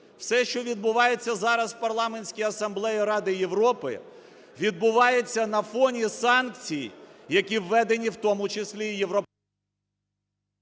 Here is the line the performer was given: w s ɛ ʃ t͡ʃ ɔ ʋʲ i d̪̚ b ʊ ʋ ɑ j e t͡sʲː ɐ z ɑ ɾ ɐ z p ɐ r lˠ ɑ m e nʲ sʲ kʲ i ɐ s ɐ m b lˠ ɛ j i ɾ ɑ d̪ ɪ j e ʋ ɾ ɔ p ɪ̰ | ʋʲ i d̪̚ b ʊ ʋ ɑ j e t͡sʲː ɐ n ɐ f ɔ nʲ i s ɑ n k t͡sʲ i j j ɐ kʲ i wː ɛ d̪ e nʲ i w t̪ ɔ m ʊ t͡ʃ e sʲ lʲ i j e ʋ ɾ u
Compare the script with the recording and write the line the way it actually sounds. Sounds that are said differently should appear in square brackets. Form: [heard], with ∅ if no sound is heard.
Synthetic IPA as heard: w s ɛ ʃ t͡ʃ ɔ ʋʲ i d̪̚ b ʊ ʋ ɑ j e t͡sʲː ɐ z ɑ ɾ ɐ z p ɐ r lˠ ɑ m e nʲ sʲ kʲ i ɐ s ɐ m b lˠ ɛ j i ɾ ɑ d̪ ɪ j e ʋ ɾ ɔ p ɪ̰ | ʋʲ i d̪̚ b ʊ ʋ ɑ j e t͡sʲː ɐ n ɐ f ɔ nʲ i s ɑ n k t͡sʲ i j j ɐ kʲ i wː ɛ d̪ e nʲ i w t̪ ɔ m ʊ t͡ʃ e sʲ lʲ i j e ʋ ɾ [ɔ]

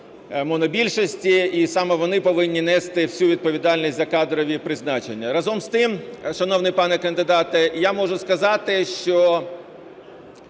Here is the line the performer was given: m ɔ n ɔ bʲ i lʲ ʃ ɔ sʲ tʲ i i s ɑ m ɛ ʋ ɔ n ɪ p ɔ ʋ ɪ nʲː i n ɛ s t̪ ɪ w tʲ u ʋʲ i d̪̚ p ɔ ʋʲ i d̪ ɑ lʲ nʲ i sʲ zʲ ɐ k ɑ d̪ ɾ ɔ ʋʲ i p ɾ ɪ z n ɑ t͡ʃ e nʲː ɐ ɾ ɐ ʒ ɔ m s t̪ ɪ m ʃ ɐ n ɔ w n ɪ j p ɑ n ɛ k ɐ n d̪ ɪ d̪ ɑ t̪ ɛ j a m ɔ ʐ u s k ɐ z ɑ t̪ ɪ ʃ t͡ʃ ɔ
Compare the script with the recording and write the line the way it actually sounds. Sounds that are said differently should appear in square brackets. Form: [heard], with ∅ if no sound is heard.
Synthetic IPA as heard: m ɔ n ɔ bʲ i lʲ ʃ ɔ sʲ tʲ i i s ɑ m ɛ ʋ ɔ n ɪ p ɔ ʋ ɪ nʲː i n ɛ s t̪ ɪ w [sʲ] u ʋʲ i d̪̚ p ɔ ʋʲ i d̪ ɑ lʲ nʲ i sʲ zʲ ɐ k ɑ d̪ ɾ ɔ ʋʲ i p ɾ ɪ z n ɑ t͡ʃ e nʲː ɐ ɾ ɐ [z] ɔ m s t̪ ɪ m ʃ ɐ n ɔ w n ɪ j p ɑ n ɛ k ɐ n d̪ ɪ d̪ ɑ t̪ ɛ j a m ɔ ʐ [ʊ] s k ɐ z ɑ t̪ ɪ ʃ t͡ʃ ɔ

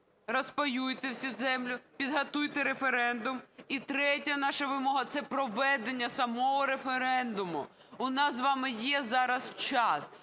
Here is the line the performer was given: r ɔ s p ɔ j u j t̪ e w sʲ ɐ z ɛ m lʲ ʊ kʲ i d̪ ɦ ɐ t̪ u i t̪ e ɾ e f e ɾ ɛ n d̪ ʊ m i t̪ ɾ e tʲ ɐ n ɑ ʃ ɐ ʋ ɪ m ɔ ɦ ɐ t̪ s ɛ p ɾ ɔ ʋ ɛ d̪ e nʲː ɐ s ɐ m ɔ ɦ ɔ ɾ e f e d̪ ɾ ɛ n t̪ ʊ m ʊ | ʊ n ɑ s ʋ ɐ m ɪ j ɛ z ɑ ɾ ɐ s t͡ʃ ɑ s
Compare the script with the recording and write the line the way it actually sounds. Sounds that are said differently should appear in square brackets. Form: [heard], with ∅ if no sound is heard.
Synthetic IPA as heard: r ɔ s p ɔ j u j t̪ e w sʲ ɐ z ɛ m lʲ ʊ [pʲ] i d̪ ɦ ɐ t̪ u [j] t̪ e ɾ e f e ɾ ɛ n d̪ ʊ m i t̪ ɾ [ɛ] tʲ ɐ n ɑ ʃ ɐ ʋ ɪ m ɔ ɦ ɐ t̪ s ɛ p ɾ ɔ ʋ ɛ d̪ e nʲː ɐ s ɐ m ɔ ɦ ɔ ɾ e f e [∅] ɾ ɛ n [d̪] ʊ m ʊ | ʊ n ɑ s ʋ [ɑ] m ɪ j ɛ z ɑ ɾ ɐ s t͡ʃ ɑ s

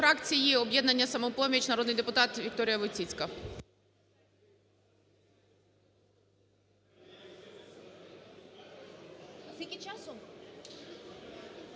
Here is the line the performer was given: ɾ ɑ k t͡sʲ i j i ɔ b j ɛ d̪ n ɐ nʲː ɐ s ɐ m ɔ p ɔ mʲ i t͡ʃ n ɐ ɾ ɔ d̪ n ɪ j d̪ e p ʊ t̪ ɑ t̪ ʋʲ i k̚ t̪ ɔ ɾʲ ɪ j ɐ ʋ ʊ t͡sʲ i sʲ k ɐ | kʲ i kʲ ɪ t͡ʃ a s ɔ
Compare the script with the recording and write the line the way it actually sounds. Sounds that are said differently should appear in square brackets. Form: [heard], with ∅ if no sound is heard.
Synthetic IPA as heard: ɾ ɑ k t͡sʲ i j i ɔ b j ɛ d̪ n ɐ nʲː ɐ s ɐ m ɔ p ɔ mʲ i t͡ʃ n ɐ ɾ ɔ d̪ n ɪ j d̪ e p ʊ t̪ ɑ t̪ ʋʲ i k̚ t̪ ɔ ɾʲ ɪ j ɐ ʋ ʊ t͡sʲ i [t͡sʲ] k ɐ | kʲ i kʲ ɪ t͡ʃ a s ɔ

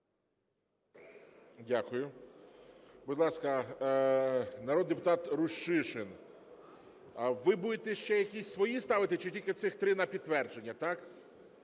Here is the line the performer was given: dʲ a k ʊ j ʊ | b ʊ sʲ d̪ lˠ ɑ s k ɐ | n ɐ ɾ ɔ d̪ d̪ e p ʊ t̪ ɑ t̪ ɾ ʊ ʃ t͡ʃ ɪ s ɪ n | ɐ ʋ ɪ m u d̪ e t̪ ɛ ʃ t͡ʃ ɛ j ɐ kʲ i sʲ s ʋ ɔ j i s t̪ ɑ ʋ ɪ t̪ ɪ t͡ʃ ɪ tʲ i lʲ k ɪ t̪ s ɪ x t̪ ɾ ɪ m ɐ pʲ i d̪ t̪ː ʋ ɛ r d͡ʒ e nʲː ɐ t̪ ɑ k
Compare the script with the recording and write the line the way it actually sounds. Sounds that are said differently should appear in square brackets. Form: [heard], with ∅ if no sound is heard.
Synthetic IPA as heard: dʲ a k ʊ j ʊ | b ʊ [∅] d̪ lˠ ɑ s k ɐ | n ɐ ɾ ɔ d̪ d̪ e p ʊ t̪ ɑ t̪ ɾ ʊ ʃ t͡ʃ ɪ [ʃ] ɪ n | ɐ ʋ ɪ [b] u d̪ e t̪ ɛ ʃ t͡ʃ ɛ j ɐ kʲ i sʲ s ʋ ɔ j i s t̪ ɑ ʋ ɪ t̪ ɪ t͡ʃ ɪ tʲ i lʲ k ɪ t̪ s ɪ x t̪ ɾ ɪ [n] ɐ pʲ i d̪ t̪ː ʋ ɛ r d͡ʒ e nʲː ɐ t̪ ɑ k

